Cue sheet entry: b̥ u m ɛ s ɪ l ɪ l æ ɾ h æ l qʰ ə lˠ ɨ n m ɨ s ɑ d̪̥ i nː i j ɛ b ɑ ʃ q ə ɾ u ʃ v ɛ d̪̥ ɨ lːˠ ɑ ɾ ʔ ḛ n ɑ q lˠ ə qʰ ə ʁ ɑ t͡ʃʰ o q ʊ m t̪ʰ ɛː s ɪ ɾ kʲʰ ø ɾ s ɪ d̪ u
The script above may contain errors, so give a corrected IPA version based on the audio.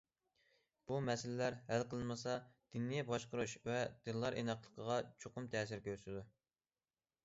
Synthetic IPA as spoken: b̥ u m ɛ s ɪ l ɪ l æ ɾ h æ l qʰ ə lˠ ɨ n m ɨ s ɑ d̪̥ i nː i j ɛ b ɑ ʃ q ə ɾ u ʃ v ɛ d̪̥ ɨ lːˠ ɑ ɾ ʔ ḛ n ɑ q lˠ ə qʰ ə ʁ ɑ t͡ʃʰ o q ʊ m t̪ʰ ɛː s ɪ ɾ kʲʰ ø ɾ s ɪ d̪ u